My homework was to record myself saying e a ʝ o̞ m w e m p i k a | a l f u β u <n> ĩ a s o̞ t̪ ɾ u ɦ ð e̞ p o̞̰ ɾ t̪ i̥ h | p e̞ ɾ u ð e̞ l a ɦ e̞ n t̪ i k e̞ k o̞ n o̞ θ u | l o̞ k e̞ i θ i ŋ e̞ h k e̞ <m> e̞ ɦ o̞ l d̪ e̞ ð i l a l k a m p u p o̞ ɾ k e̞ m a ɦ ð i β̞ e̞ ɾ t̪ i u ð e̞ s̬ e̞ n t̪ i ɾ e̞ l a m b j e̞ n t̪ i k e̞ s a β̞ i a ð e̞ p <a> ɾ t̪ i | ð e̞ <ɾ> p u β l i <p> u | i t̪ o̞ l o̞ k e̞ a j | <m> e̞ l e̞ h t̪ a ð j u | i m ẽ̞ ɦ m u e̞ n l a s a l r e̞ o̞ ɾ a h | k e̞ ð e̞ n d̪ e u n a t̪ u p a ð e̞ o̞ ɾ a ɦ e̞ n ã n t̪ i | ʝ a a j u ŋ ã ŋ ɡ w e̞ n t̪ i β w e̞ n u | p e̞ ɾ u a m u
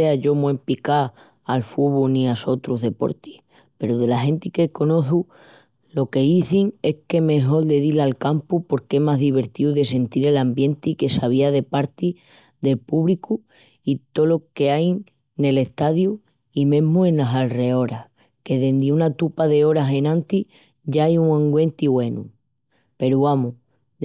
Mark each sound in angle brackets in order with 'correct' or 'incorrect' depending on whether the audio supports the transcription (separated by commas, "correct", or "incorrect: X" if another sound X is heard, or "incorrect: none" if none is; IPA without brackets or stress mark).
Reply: correct, correct, correct, incorrect: l, incorrect: k, incorrect: n